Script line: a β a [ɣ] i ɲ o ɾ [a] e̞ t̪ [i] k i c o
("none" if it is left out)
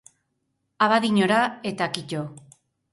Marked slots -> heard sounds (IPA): ð, a, a

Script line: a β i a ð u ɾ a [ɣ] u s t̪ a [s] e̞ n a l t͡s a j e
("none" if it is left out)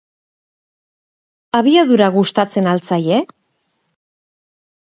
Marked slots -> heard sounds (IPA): ɣ, t͡s

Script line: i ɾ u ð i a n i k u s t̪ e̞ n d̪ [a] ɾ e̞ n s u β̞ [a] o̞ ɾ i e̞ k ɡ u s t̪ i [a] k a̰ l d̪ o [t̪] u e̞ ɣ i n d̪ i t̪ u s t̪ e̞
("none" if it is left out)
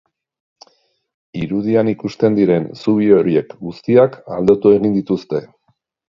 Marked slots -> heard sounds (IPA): i, i, a, t̪

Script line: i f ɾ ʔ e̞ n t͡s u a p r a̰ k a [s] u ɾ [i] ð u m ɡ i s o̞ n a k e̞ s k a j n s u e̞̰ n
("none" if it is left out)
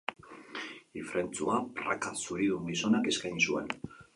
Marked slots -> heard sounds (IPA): s, i

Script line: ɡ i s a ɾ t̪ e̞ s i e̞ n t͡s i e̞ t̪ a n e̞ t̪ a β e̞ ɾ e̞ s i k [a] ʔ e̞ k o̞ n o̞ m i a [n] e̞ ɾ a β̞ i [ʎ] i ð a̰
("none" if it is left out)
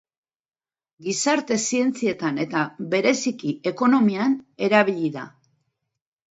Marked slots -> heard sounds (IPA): i, n, ʎ

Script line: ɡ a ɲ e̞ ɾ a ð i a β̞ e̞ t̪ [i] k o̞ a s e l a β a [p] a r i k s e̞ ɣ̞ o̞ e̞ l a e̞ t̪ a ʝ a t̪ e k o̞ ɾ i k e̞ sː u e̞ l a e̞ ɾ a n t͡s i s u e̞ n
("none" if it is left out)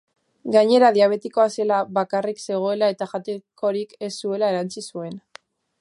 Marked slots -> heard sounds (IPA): i, k

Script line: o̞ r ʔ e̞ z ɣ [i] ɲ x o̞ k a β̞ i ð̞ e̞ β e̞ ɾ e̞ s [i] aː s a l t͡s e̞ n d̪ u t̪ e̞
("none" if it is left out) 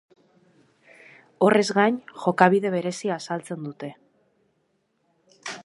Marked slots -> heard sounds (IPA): a, i

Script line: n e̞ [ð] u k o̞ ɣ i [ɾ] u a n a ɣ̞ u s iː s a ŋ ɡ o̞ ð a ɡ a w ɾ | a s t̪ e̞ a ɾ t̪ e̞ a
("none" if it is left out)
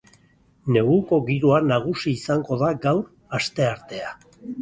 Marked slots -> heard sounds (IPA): ɣ, ɾ

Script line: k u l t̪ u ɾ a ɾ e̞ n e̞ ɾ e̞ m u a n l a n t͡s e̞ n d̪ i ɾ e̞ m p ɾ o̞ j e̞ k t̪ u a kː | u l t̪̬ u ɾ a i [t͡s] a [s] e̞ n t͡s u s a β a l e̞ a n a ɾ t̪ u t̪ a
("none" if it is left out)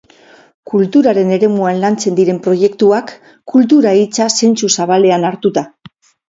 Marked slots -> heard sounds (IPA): t͡s, s

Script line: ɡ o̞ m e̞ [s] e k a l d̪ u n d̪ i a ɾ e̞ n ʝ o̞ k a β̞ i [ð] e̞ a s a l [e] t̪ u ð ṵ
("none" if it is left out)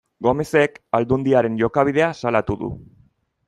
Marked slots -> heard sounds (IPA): s, ð, a

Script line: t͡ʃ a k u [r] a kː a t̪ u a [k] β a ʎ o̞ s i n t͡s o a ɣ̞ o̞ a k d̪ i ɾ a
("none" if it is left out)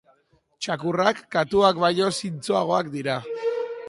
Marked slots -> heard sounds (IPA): r, k

